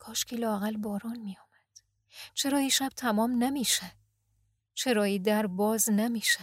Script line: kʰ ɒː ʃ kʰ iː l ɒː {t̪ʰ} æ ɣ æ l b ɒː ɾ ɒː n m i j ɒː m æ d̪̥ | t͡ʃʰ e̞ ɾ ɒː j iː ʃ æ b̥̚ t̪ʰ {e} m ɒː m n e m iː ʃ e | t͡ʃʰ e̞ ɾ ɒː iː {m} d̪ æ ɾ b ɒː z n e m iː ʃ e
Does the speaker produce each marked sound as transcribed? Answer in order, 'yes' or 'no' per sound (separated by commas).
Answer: no, no, no